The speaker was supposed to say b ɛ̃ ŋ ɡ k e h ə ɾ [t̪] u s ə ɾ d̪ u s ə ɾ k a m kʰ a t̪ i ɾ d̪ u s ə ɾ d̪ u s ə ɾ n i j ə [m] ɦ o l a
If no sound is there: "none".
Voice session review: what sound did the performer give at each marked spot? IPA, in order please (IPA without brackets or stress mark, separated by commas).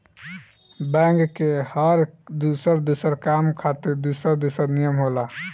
d̪, m